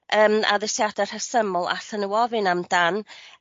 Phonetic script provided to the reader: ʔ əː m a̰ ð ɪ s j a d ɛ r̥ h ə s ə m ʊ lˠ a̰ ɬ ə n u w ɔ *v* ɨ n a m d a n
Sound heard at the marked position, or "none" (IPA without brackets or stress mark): v